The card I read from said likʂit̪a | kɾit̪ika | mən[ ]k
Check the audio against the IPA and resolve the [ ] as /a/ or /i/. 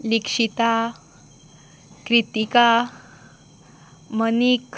i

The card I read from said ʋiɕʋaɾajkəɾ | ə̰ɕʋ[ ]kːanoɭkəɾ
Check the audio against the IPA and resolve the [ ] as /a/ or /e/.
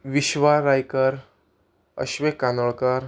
e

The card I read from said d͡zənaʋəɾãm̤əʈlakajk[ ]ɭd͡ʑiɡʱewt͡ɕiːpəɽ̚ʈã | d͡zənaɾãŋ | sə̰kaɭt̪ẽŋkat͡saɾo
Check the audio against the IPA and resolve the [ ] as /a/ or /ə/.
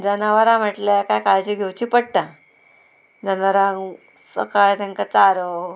a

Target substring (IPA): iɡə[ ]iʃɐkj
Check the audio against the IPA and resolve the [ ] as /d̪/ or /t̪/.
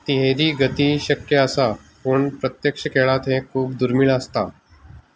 t̪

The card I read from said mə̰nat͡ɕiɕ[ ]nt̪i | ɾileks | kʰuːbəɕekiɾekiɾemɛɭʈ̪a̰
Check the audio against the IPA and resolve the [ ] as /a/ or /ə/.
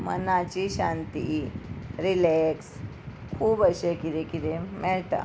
a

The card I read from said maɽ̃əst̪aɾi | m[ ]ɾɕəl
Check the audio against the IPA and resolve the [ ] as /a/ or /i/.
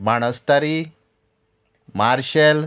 a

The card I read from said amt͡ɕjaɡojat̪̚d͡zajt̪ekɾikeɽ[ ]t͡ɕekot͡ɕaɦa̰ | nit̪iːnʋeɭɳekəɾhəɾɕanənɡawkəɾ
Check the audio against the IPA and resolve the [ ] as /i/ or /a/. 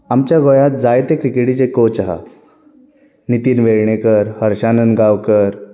i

